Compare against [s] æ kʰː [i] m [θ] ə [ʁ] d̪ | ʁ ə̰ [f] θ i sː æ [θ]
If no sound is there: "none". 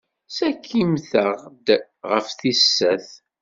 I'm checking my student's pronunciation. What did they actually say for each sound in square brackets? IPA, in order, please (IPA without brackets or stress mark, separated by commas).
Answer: s, i, θ, ʁ, f, θ